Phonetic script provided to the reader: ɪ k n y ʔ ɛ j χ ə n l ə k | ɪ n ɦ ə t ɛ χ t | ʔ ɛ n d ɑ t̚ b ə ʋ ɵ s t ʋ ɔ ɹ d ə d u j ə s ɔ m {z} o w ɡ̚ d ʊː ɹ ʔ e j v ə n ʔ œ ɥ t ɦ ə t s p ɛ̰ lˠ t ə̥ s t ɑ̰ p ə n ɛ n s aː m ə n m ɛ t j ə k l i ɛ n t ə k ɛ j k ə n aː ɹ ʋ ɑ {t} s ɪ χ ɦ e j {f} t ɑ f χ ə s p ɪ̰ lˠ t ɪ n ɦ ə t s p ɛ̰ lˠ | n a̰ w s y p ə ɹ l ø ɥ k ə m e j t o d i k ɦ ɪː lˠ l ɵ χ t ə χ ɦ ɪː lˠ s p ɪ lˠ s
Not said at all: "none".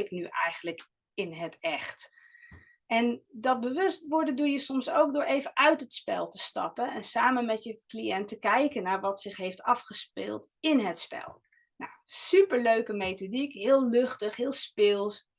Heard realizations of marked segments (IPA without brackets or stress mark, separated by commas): s, t, f